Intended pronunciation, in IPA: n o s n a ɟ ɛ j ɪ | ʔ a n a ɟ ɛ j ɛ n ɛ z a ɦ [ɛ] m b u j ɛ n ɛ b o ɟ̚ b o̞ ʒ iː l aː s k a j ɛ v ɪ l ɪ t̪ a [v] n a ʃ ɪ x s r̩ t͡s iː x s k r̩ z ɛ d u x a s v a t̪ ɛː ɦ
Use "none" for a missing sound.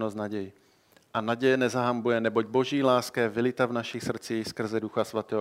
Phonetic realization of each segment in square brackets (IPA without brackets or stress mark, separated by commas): a, v